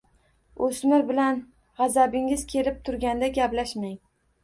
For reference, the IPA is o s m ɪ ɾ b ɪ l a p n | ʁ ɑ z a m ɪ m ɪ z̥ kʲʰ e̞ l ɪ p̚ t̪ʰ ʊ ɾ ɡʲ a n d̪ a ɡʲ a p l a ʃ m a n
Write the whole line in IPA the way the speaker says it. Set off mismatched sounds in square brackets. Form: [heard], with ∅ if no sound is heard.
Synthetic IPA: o s m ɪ ɾ b ɪ l a [∅] n | ʁ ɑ z a [b] ɪ [ŋ] ɪ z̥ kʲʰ e̞ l ɪ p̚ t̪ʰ ʊ ɾ ɡʲ a n d̪ a ɡʲ a p l a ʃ m a [ŋ]